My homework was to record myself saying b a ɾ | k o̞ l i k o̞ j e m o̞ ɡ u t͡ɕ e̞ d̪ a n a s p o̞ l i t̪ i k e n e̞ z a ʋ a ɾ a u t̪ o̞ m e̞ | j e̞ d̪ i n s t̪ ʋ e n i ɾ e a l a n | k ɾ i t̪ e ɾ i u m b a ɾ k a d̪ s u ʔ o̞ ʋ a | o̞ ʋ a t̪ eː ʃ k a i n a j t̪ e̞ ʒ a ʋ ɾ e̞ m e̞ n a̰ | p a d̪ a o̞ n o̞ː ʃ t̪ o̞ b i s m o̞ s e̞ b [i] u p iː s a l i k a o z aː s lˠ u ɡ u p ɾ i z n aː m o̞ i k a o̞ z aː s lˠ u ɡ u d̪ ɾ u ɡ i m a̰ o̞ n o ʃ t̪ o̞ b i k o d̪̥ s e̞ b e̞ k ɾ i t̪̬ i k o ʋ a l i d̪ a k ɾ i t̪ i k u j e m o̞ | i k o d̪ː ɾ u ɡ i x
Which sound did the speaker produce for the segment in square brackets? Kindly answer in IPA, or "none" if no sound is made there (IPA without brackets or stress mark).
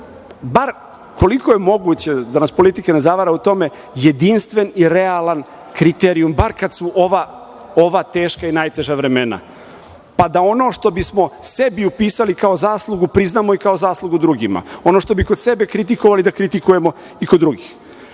i